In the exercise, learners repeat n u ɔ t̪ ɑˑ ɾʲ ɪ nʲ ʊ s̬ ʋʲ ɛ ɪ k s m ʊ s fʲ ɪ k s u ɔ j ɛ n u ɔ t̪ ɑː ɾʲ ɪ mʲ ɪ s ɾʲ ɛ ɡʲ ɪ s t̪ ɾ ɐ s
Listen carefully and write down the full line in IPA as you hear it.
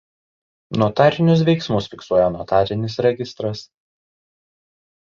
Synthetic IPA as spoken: n u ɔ t̪ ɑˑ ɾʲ ɪ nʲ ʊ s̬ ʋʲ ɛ ɪ k s m ʊ s fʲ ɪ k s u ɔ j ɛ n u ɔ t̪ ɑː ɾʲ ɪ nʲ ɪ s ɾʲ ɛ ɡʲ ɪ s t̪ ɾ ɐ s